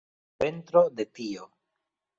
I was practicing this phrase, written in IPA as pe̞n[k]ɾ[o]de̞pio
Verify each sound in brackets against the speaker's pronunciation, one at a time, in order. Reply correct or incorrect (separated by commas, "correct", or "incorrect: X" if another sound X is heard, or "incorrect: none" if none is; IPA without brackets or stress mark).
incorrect: t, correct